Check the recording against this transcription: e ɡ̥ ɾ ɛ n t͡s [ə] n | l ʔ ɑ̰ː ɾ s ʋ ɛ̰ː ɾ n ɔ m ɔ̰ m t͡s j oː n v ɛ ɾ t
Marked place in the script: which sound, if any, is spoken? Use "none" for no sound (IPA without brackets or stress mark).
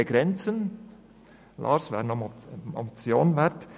ə